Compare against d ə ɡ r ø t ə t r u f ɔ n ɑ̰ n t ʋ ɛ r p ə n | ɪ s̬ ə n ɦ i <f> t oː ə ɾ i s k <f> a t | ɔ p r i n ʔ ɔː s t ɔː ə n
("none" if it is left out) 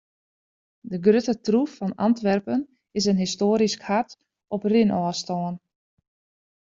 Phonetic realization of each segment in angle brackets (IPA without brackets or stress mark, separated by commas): s, h